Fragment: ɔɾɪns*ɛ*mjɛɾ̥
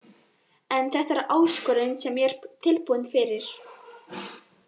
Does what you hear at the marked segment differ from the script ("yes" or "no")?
no